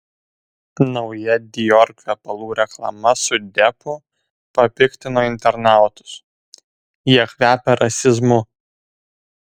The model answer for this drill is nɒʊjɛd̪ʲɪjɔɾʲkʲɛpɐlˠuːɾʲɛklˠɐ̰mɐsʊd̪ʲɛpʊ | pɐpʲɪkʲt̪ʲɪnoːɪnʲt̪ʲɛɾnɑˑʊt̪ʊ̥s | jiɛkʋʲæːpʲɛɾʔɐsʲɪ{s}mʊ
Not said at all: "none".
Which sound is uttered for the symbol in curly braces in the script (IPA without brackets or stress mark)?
z